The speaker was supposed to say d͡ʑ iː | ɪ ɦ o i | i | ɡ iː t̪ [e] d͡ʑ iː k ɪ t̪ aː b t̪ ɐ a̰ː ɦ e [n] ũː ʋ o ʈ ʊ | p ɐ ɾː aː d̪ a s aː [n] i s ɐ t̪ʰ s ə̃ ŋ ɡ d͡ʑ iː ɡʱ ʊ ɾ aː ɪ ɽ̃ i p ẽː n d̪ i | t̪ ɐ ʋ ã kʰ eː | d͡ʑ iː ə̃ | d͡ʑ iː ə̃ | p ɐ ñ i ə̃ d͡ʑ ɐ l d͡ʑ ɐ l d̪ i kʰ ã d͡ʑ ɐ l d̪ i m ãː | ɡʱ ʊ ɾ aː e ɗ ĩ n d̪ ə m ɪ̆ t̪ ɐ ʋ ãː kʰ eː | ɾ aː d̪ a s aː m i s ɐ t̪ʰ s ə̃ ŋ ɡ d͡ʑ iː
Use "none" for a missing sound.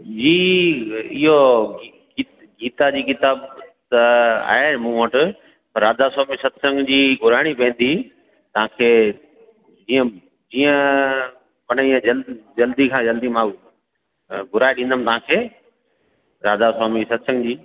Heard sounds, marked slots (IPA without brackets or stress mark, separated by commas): a, m, m